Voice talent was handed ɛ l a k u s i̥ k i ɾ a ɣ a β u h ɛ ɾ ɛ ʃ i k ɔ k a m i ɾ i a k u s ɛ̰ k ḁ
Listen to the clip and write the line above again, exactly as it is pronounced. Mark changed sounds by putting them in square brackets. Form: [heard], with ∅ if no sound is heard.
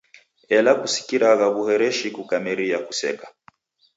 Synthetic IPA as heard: ɛ l a k u s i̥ k i ɾ a ɣ a β u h ɛ ɾ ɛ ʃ i k [u] k a m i ɾ i a k u s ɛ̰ k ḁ